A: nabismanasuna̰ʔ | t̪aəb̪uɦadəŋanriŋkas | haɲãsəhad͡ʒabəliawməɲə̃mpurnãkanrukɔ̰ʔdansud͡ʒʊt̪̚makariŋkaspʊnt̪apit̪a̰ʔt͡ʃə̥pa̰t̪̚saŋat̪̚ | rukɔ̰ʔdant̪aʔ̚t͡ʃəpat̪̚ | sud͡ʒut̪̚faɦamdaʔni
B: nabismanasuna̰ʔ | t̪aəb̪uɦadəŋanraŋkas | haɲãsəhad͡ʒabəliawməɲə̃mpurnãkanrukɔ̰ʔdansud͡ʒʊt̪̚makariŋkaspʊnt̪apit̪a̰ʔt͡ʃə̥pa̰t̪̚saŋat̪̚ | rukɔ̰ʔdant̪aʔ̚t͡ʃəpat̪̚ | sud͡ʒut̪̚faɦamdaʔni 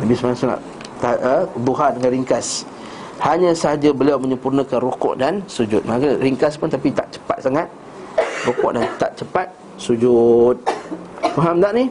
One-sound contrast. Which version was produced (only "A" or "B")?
A